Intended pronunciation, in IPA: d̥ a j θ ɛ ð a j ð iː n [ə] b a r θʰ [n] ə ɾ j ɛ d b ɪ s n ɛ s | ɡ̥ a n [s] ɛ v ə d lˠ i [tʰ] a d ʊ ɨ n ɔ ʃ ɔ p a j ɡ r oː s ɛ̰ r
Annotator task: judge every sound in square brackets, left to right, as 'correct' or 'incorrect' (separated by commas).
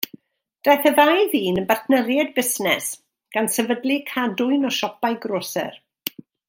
correct, correct, correct, incorrect